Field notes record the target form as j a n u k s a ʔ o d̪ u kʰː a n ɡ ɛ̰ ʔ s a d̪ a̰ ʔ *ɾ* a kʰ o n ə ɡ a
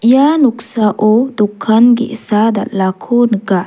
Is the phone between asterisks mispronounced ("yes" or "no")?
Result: yes